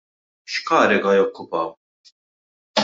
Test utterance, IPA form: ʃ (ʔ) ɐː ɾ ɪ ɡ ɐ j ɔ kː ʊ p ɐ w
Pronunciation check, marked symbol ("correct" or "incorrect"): incorrect